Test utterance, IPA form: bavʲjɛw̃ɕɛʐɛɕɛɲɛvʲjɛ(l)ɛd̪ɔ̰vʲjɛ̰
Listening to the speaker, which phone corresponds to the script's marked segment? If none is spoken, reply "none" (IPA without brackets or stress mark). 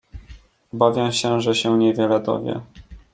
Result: l